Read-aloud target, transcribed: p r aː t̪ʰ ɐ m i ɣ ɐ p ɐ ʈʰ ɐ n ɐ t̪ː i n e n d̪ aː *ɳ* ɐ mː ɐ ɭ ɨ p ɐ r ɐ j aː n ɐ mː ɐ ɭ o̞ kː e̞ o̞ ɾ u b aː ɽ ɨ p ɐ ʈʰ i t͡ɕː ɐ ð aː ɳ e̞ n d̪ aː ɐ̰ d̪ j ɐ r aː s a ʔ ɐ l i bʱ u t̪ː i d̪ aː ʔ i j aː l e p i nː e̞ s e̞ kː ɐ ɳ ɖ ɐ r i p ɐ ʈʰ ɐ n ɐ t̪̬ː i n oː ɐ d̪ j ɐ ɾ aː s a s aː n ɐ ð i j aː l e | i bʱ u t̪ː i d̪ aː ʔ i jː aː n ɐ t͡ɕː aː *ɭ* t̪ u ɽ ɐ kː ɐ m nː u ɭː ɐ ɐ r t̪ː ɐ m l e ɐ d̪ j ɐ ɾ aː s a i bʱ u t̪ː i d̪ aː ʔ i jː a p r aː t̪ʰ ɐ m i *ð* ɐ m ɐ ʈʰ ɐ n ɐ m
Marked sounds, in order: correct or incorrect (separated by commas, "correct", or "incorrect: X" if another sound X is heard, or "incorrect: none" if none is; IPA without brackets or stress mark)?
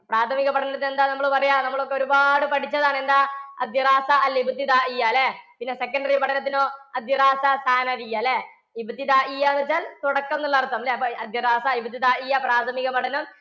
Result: incorrect: n, incorrect: l, incorrect: ɣ